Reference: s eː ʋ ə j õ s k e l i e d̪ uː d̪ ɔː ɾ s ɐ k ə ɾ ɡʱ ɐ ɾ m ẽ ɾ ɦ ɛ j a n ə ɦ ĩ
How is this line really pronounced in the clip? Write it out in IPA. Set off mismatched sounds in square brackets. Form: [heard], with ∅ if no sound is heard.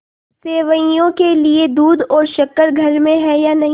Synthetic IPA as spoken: s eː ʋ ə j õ [∅] k e l i e d̪ uː d̪ ɔː ɾ [ʃ] ɐ k ə ɾ ɡʱ ɐ ɾ m ẽ [∅] ɦ ɛ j a n [ɐ] ɦ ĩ